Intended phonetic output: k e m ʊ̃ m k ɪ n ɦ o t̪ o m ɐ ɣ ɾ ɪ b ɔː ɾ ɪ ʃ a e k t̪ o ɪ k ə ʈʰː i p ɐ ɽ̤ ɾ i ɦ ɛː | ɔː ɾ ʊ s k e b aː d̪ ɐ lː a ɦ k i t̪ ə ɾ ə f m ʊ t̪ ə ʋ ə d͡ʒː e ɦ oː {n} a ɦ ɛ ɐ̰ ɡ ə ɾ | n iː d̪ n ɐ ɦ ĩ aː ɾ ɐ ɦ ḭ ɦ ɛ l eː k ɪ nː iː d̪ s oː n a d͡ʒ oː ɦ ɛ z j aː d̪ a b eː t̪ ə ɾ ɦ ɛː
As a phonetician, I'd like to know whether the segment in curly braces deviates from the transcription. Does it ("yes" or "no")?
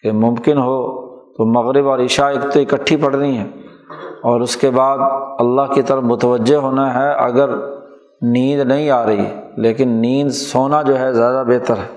no